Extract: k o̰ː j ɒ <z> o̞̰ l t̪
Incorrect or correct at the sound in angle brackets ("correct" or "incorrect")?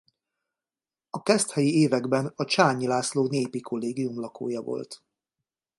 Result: incorrect